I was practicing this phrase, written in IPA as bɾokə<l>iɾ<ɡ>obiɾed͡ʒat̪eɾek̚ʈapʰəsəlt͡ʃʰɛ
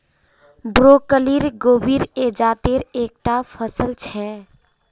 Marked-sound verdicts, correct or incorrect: correct, correct

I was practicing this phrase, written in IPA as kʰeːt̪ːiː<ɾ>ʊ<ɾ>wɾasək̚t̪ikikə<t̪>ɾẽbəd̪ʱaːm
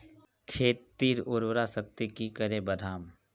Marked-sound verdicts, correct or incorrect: correct, correct, incorrect

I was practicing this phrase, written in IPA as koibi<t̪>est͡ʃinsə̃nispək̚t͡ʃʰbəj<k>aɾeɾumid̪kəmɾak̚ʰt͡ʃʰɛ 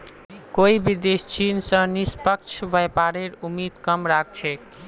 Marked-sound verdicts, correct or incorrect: incorrect, incorrect

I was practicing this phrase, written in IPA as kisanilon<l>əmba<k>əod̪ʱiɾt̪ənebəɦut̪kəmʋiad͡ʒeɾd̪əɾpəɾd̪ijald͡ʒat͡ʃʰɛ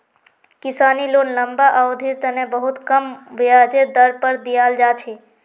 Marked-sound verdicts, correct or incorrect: correct, incorrect

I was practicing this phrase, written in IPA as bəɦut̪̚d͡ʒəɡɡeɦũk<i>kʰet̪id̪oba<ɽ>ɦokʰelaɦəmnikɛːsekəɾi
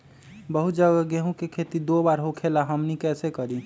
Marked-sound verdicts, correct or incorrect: incorrect, incorrect

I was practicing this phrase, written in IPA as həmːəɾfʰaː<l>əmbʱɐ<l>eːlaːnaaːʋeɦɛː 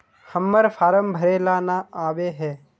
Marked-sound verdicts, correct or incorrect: incorrect, incorrect

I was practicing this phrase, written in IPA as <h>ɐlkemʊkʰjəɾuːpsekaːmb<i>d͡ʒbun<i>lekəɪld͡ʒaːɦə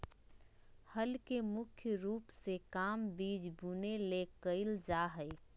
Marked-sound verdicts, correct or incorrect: correct, incorrect, incorrect

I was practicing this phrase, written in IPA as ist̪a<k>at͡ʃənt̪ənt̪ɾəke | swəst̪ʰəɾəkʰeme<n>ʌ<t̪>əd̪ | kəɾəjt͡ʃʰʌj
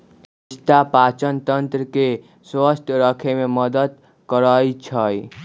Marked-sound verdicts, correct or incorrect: incorrect, incorrect, incorrect

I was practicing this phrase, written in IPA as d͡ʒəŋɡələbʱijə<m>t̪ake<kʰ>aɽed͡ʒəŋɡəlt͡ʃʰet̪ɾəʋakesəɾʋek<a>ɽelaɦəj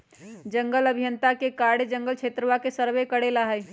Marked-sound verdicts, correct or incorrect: incorrect, incorrect, incorrect

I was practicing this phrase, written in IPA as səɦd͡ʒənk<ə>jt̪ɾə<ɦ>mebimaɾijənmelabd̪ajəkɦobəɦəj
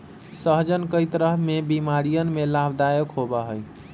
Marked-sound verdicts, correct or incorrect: correct, correct

